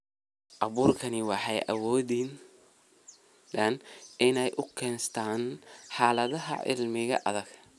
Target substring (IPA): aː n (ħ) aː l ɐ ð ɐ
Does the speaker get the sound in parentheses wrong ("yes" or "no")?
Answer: no